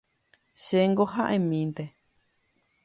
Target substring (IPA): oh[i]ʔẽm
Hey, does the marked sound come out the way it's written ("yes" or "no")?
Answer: no